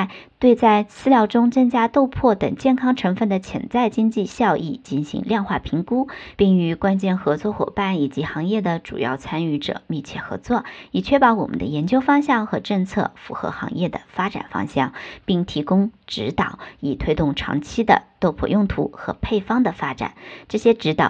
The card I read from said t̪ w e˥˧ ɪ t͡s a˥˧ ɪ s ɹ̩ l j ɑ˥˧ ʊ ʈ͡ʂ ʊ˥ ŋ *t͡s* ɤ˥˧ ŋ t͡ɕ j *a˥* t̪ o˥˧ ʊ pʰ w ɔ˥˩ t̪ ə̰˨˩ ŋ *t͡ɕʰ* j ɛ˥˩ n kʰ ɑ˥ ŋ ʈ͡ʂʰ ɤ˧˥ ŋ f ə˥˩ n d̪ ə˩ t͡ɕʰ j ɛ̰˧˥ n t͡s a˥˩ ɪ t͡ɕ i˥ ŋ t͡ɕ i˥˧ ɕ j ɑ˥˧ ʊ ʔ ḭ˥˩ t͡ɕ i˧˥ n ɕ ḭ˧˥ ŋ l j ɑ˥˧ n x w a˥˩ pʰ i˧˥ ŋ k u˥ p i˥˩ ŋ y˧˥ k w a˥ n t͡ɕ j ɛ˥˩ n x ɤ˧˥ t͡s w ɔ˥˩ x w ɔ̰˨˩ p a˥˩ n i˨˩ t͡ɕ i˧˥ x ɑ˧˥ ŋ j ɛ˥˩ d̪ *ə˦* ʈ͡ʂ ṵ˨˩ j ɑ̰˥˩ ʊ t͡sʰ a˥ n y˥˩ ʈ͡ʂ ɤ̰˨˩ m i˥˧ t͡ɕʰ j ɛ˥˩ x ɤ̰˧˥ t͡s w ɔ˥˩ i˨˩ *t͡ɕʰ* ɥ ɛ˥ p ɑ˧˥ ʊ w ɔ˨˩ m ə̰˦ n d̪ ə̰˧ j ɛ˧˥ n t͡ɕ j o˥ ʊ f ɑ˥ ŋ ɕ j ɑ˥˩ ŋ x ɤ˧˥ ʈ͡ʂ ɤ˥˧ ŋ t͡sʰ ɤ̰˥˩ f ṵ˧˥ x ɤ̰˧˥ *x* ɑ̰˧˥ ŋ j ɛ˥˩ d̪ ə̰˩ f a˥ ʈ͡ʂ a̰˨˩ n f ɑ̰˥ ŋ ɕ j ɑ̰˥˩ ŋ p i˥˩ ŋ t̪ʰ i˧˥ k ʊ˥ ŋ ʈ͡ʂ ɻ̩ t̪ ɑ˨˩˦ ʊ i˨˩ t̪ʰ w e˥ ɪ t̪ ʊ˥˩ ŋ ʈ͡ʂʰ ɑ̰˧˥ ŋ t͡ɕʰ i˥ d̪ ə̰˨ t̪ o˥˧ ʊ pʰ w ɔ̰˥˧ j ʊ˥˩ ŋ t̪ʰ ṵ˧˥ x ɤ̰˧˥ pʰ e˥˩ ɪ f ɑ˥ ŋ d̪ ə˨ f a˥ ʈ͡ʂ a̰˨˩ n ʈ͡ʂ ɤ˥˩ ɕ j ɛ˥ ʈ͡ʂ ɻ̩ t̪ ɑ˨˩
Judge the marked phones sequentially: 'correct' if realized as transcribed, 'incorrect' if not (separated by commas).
correct, correct, incorrect, incorrect, correct, correct